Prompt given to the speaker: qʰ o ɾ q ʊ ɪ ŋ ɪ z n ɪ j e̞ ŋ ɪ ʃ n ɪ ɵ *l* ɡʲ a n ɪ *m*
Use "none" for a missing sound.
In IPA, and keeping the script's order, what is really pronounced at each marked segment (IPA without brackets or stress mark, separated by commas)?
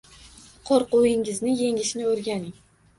ɾ, ŋ